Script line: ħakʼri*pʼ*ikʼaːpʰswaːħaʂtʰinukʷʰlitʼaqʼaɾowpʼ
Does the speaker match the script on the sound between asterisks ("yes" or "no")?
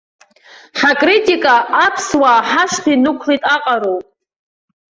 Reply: no